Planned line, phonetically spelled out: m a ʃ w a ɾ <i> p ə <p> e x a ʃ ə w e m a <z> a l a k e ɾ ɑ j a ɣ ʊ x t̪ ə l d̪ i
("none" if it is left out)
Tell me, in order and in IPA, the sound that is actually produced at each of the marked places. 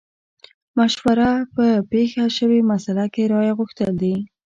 a, p, s

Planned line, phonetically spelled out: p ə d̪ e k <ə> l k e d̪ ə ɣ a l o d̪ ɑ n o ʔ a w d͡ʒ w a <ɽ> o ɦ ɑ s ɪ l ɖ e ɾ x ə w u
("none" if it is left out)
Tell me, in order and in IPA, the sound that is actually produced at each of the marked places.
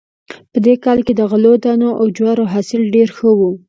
ɑ, ɾ

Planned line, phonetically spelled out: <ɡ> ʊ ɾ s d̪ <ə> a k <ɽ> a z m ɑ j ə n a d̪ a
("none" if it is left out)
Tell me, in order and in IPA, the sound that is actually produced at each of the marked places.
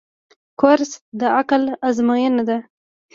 k, ə, l

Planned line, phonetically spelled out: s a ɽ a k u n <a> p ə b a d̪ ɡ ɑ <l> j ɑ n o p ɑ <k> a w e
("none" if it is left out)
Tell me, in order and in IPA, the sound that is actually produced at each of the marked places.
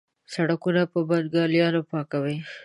a, l, k

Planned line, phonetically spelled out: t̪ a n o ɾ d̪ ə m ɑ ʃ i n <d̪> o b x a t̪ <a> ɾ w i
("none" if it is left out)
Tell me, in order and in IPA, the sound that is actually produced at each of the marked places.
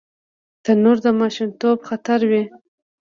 t̪, a

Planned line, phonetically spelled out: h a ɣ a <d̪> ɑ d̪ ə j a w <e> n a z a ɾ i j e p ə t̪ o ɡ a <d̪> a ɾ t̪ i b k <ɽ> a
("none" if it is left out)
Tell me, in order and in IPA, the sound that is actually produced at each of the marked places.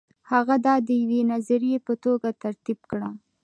d̪, e, t̪, ɽ

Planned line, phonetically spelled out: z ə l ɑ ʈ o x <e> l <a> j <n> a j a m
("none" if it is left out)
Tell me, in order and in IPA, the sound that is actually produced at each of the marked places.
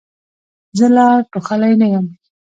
a, a, n

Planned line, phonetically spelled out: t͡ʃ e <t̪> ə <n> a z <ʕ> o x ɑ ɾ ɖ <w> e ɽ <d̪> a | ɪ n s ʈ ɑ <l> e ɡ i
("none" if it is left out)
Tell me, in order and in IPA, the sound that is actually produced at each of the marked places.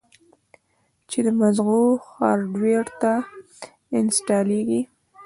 d̪, m, ɣ, w, t̪, l

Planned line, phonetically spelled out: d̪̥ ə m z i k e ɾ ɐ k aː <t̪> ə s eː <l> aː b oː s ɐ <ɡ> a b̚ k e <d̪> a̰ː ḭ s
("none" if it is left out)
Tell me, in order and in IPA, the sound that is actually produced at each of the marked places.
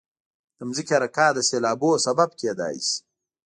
d̪, l, b, d̪

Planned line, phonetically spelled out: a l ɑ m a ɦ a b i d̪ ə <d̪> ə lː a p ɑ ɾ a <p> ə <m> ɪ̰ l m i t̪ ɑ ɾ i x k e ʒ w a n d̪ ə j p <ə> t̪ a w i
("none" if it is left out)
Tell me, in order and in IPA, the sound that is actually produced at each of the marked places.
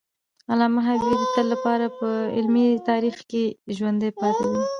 t̪, p, none, ɑ

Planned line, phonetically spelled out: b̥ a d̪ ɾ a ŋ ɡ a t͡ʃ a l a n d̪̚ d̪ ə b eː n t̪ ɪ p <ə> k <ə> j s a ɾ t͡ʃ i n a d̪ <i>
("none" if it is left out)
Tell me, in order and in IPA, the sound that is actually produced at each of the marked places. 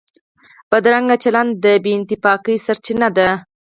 ɑ, ə, a

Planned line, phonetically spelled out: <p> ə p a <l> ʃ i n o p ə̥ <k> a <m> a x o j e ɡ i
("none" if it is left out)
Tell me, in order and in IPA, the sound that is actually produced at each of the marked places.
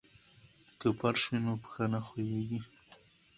k, ɾ, x, n

